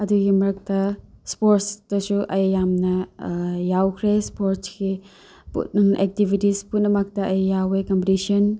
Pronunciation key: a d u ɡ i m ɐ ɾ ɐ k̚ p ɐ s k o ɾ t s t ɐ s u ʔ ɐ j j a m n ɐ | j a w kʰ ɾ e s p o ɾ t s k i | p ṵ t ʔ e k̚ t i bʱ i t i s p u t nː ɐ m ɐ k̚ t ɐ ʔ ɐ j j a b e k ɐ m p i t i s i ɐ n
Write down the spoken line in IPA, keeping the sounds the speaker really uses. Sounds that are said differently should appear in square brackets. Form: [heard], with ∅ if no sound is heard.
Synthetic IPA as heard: [ɐ] d u ɡ i m ɐ ɾ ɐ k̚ [t] ɐ s [p] o ɾ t s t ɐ s u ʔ ɐ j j a m n ɐ | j a w kʰ ɾ e s p o ɾ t s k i | p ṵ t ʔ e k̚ t i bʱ i t i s p u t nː ɐ m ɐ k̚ t ɐ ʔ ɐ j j a [w] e k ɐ m p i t i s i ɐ n